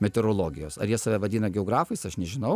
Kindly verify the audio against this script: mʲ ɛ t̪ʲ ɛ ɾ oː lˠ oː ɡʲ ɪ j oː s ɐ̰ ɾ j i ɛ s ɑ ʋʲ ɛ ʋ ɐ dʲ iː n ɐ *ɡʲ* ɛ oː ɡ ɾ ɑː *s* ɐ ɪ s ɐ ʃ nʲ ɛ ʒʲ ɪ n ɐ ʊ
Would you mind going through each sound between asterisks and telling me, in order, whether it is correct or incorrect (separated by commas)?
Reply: correct, incorrect